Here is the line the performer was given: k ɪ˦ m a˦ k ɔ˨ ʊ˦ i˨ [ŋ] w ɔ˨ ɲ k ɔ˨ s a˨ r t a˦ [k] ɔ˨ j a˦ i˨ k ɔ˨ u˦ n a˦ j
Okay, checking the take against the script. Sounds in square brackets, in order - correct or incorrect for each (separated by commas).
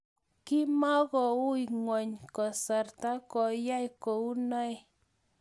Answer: correct, correct